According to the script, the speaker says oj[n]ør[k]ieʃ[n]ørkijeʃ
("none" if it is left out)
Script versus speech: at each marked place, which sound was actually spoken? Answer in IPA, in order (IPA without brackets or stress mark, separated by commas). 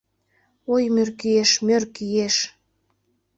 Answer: m, k, m